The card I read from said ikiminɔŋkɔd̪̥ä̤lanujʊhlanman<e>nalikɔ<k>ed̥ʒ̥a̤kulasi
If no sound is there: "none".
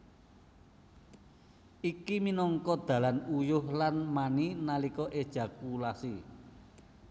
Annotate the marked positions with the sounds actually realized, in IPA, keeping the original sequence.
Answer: i, ʔ

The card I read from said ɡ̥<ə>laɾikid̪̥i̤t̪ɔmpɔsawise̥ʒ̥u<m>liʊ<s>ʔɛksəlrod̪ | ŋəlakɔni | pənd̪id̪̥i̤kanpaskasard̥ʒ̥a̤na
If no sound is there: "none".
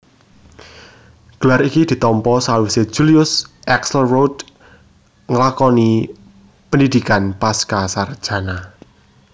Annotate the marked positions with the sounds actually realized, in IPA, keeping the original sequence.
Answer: ə, none, s

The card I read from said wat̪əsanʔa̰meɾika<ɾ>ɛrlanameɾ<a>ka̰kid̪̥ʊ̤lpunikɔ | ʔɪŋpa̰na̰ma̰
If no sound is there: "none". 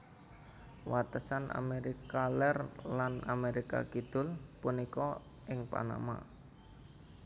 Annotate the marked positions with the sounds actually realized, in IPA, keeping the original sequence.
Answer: l, i

